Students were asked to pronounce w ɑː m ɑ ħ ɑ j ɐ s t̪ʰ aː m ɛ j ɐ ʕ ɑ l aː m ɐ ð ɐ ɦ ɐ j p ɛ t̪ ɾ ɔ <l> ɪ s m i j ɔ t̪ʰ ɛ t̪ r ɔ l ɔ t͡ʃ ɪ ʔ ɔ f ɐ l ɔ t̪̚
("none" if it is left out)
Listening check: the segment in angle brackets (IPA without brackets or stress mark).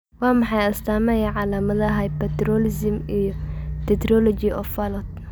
l